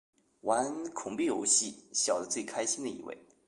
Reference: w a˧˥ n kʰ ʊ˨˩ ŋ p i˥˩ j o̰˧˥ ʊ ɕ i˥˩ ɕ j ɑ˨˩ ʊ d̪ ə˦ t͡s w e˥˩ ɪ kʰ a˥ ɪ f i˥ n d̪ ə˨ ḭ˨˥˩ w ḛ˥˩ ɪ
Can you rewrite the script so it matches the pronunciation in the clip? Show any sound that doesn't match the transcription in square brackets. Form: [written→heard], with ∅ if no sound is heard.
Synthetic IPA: w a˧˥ n kʰ ʊ˨˩ ŋ p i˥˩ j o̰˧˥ ʊ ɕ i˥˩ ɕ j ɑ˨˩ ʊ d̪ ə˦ t͡s w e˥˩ ɪ kʰ a˥ ɪ [f→ɕ] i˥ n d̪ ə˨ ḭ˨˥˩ w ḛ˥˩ ɪ